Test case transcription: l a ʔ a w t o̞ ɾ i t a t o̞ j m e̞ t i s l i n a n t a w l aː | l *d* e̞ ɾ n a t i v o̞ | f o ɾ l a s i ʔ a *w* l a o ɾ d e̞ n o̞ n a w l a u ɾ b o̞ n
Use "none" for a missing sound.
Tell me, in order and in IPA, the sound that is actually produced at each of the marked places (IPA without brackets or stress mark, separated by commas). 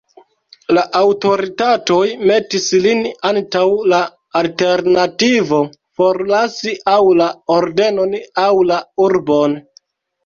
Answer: t, w